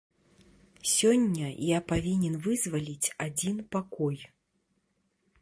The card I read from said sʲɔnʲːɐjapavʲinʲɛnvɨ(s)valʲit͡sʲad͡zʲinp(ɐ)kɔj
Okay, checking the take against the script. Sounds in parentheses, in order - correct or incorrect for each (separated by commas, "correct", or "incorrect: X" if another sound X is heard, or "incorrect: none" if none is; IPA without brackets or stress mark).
incorrect: z, incorrect: a